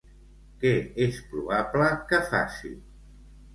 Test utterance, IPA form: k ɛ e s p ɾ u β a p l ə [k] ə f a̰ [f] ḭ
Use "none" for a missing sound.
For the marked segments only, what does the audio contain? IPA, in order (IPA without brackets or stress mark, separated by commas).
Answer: k, s